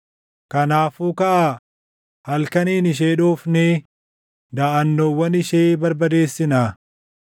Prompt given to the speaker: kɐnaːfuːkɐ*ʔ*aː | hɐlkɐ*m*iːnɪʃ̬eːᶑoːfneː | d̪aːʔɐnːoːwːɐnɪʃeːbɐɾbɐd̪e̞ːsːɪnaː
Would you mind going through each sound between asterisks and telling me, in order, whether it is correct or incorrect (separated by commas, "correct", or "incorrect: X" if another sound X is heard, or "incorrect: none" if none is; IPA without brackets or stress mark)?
correct, incorrect: n